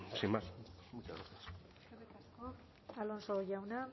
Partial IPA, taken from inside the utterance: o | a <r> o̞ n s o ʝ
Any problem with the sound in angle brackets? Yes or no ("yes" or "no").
yes